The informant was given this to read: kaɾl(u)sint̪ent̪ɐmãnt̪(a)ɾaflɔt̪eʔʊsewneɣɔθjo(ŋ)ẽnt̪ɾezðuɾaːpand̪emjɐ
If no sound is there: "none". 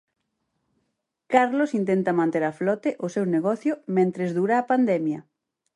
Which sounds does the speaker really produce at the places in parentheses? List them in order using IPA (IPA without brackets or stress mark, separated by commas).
o, e, m